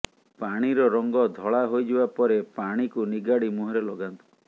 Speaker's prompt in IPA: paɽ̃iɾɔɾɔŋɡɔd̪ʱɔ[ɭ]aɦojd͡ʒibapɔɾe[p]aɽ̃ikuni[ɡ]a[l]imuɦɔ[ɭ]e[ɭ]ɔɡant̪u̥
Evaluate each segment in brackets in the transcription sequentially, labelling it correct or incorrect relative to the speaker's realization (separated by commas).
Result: correct, correct, correct, incorrect, incorrect, incorrect